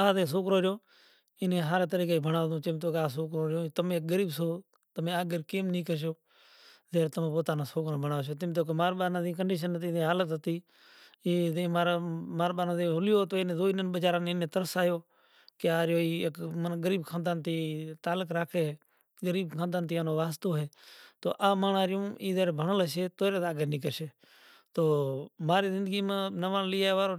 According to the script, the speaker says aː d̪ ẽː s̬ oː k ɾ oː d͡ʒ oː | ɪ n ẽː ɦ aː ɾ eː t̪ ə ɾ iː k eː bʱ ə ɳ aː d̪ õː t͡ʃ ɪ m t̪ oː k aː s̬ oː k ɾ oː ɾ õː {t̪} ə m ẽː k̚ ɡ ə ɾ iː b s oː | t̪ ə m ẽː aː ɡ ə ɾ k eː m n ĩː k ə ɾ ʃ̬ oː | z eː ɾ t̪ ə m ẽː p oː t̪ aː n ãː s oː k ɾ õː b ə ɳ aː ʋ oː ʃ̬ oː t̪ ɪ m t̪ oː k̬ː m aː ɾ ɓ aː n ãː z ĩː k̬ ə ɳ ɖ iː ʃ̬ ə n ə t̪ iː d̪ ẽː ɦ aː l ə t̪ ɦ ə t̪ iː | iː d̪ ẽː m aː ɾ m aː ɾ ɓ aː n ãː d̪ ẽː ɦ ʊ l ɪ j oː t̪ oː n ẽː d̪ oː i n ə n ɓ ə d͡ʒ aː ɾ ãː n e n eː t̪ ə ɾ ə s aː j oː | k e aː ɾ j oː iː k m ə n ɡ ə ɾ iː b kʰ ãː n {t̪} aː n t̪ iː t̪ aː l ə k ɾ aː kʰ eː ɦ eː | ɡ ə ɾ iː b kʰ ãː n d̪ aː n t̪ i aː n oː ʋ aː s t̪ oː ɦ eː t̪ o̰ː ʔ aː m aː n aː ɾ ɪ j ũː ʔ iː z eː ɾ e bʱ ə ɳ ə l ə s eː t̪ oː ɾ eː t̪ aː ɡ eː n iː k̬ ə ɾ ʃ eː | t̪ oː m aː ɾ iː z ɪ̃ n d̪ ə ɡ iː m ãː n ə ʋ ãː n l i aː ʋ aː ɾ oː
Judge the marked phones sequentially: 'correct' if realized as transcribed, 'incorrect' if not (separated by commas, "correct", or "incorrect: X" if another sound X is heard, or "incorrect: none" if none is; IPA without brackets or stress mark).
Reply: correct, incorrect: d̪